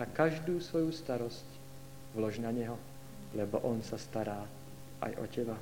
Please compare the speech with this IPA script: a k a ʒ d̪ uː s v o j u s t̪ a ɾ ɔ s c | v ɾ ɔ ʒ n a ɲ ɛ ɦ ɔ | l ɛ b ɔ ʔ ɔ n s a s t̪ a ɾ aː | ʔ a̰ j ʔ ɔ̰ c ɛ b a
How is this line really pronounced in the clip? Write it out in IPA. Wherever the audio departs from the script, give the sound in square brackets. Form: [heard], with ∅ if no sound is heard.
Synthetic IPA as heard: a k a ʒ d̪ uː s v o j u s t̪ a ɾ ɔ s c | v [l] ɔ ʒ n a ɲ ɛ ɦ ɔ | l ɛ b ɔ ʔ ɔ n s a s t̪ a ɾ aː | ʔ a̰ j ʔ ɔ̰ c ɛ b a